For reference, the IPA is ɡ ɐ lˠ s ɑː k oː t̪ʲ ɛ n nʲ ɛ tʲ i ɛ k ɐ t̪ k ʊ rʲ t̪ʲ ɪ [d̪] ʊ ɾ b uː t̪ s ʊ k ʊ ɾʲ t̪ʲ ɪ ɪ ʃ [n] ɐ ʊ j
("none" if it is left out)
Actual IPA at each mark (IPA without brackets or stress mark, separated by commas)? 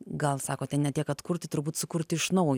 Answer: t̪, n